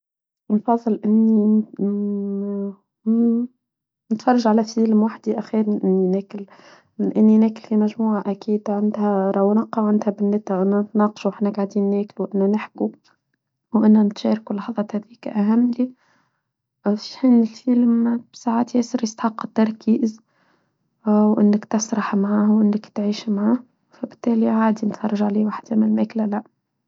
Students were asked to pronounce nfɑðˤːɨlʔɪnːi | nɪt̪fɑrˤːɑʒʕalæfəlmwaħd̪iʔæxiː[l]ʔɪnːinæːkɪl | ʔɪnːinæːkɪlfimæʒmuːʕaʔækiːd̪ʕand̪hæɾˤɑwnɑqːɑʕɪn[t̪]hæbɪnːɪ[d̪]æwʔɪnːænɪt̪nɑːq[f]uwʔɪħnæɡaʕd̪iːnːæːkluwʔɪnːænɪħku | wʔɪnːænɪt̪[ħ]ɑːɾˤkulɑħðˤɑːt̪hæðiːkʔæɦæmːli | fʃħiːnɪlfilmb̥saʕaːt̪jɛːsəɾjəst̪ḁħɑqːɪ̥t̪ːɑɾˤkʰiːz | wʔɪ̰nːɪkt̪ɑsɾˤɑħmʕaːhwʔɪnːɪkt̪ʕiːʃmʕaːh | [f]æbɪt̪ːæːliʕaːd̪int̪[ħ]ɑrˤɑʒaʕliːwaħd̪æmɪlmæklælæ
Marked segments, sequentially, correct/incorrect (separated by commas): incorrect, incorrect, incorrect, incorrect, incorrect, correct, incorrect